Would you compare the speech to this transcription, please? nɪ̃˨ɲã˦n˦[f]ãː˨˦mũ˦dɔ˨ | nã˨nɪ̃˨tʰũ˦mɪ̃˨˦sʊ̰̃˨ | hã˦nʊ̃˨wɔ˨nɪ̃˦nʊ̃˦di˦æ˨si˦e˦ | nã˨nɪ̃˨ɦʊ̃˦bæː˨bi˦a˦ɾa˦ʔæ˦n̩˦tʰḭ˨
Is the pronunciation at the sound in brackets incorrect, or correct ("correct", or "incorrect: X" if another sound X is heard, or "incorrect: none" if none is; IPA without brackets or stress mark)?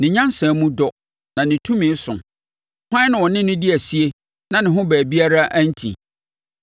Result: incorrect: s